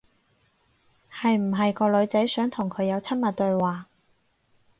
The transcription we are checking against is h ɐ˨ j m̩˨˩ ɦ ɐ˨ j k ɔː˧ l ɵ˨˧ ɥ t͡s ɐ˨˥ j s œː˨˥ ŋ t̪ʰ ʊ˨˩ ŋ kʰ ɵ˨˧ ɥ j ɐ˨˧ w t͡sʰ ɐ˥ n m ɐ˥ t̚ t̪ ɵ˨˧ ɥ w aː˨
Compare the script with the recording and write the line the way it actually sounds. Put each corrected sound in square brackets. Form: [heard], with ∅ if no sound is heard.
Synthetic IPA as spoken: h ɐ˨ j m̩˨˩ ɦ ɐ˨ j k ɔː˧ l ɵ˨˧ ɥ t͡s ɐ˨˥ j s œː˨˥ ŋ t̪ʰ ʊ˨˩ ŋ kʰ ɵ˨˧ ɥ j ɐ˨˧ w t͡sʰ ɐ˥ n m [ɐ˨] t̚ t̪ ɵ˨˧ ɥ w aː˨